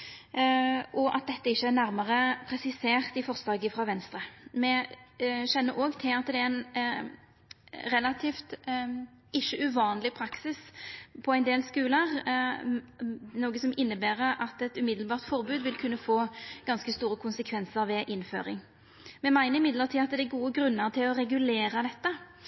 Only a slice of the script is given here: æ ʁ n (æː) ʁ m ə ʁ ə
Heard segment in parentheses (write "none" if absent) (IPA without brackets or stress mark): æ